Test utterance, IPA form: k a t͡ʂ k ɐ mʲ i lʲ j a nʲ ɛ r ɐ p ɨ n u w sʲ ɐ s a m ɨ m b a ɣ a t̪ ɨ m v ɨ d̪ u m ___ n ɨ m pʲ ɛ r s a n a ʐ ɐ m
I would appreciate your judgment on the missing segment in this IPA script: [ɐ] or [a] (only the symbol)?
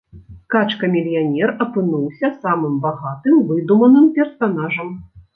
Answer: ɐ